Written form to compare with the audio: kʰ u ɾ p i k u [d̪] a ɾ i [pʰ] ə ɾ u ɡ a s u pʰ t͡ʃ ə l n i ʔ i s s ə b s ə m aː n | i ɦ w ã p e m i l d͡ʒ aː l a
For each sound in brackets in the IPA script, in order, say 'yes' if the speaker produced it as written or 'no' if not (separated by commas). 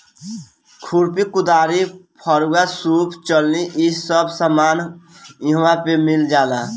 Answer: yes, yes